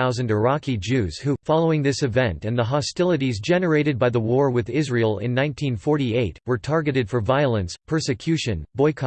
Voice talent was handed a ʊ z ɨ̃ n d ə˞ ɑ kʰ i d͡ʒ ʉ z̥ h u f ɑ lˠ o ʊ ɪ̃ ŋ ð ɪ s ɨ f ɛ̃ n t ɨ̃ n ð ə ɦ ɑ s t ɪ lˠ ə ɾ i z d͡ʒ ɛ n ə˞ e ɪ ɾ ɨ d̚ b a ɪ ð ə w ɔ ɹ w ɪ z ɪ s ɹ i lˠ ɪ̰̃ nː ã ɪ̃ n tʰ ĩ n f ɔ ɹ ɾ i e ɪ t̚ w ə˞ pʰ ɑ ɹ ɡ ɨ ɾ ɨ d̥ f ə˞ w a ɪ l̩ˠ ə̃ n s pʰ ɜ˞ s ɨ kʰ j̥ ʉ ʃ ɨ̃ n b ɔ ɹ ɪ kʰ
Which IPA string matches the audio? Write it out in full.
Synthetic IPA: a ʊ z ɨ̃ n d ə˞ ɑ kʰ i d͡ʒ ʉ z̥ h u f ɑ lˠ o ʊ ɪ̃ ŋ ð ɪ s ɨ v ɛ̃ n t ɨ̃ n ð ə ɦ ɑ s t ɪ lˠ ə ɾ i z d͡ʒ ɛ n ə˞ e ɪ ɾ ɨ d̚ b a ɪ ð ə w ɔ ɹ w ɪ ð ɪ z ɹ i lˠ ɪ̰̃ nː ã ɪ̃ n tʰ ĩ n f ɔ ɹ ɾ i e ɪ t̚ w ə˞ tʰ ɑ ɹ ɡ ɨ ɾ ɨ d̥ f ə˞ v a ɪ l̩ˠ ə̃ n s pʰ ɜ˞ s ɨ kʰ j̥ ʉ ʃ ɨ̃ n b ɔ ɪ kʰ